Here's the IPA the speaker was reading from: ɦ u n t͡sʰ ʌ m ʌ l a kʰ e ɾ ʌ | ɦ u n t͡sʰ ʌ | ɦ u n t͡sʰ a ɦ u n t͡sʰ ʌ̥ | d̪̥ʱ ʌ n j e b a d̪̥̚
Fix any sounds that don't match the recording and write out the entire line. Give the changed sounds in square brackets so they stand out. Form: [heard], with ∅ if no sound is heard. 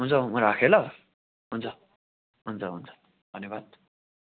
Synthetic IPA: ɦ u n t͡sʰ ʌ m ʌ [ɾ] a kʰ e [l] ʌ | ɦ u n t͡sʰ ʌ | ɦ u n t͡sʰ [ʌ] ɦ u n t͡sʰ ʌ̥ | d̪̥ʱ ʌ n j e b a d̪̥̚